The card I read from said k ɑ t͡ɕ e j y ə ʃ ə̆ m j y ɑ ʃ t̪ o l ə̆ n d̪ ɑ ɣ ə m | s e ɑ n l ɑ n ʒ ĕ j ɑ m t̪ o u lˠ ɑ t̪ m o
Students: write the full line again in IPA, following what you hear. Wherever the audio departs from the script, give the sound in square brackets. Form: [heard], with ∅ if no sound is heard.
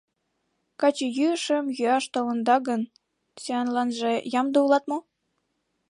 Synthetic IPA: k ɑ t͡ɕ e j y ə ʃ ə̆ m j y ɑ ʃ t̪ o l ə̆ n d̪ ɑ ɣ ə [n] | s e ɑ n l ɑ n ʒ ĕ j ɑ m [d̪] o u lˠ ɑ t̪ m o